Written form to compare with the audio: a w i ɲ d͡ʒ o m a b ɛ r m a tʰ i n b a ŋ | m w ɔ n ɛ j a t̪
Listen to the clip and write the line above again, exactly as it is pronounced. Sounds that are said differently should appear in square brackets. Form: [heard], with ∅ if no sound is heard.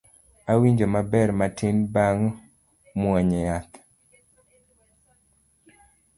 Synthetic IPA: a w i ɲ d͡ʒ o m a b ɛ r m a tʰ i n b a ŋ | m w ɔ [ɲ] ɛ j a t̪